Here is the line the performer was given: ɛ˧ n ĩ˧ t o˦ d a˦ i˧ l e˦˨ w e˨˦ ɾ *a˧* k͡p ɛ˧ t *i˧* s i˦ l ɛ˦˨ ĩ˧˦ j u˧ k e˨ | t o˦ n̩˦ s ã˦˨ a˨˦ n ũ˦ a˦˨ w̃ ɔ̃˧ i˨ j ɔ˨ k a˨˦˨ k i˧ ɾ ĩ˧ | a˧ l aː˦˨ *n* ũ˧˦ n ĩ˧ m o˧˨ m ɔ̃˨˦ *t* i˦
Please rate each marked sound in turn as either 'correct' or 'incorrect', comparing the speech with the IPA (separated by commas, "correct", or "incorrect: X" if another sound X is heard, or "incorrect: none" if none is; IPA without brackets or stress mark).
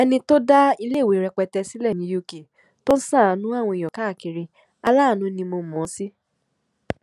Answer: incorrect: ɛ˧, incorrect: ɛ˧, correct, incorrect: s